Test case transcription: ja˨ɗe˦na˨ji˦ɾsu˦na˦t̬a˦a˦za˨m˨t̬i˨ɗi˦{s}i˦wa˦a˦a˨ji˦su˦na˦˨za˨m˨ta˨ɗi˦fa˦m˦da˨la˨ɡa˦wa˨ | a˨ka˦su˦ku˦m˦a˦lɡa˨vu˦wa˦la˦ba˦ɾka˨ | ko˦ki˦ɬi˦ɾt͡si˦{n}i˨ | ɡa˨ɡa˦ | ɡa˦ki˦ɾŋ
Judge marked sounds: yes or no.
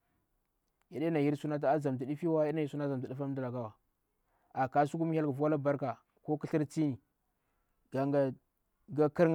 no, yes

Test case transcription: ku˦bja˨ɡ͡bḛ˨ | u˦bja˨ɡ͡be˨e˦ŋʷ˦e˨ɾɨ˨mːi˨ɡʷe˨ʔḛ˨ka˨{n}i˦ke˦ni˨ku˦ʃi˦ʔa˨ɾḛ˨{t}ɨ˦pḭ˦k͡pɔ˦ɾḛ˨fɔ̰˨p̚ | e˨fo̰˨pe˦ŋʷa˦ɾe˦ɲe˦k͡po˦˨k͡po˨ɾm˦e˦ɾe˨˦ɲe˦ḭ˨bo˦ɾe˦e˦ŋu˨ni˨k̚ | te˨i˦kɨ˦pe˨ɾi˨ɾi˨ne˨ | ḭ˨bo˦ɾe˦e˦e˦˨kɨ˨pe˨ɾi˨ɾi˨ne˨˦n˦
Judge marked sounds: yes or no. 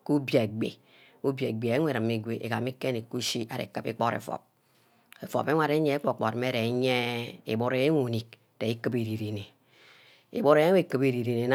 no, no

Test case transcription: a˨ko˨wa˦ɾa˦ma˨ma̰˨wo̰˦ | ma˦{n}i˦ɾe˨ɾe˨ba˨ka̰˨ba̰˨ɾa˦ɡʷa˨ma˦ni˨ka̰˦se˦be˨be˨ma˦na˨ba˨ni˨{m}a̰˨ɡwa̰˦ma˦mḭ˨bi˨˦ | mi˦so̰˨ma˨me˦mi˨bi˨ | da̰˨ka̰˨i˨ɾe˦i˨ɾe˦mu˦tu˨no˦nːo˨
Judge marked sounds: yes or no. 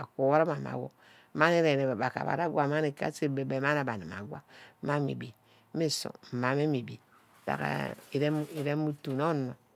yes, yes

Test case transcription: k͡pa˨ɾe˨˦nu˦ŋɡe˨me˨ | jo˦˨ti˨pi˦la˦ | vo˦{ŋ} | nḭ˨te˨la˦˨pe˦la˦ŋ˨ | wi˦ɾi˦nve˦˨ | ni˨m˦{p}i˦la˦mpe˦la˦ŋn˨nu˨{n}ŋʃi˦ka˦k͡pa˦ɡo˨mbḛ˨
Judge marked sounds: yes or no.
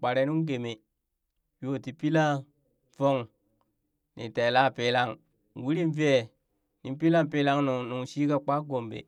yes, yes, no

